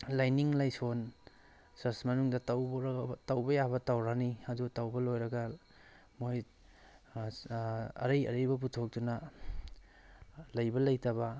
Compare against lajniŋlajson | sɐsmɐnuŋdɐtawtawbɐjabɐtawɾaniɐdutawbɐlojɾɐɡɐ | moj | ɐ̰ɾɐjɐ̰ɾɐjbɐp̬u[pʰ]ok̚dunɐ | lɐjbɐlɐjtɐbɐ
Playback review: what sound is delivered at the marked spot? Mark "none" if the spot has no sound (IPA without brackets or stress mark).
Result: tʰ